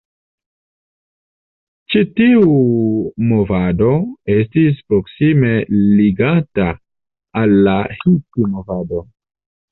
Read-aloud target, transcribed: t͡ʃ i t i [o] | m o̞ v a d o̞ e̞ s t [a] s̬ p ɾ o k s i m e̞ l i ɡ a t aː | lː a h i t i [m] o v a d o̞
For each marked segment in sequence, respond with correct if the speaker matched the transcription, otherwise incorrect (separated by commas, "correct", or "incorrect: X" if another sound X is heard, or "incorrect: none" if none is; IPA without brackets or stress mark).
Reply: incorrect: u, incorrect: i, correct